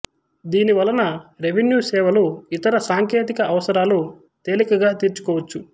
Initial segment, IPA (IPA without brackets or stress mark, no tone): d̪